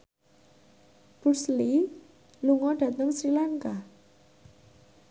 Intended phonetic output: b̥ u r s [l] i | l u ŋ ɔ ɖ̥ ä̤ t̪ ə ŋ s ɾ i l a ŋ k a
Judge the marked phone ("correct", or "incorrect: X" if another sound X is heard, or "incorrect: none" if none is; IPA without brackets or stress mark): correct